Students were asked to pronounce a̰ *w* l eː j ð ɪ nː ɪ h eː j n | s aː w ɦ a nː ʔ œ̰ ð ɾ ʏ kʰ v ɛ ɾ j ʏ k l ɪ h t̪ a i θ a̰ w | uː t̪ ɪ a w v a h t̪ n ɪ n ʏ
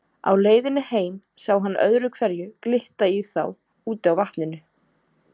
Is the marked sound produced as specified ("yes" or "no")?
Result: yes